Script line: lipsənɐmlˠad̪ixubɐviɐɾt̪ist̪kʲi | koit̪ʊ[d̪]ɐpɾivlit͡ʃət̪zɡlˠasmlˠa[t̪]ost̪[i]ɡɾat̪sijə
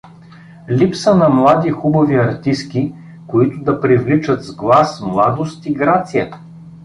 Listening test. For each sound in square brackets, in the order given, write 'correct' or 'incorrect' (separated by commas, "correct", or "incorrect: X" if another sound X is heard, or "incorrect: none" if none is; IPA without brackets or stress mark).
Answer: correct, incorrect: d̪, correct